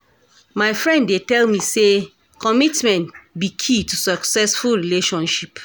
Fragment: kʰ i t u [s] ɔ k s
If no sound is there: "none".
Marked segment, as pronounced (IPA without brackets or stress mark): s